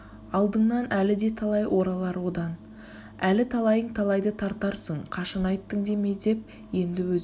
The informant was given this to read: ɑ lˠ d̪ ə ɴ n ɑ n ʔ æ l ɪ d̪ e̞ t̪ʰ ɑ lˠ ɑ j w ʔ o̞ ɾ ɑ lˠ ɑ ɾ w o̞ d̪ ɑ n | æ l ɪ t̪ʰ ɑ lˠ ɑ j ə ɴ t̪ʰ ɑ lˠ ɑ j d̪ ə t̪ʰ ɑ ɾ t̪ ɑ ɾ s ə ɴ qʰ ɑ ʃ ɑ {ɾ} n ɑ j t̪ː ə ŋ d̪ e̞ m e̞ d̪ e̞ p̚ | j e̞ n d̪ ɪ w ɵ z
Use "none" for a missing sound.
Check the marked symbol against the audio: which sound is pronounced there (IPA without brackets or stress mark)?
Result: none